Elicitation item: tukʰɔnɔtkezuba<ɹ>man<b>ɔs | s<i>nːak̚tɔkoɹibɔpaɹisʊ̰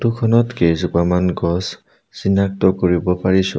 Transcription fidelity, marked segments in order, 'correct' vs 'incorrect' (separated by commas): incorrect, incorrect, correct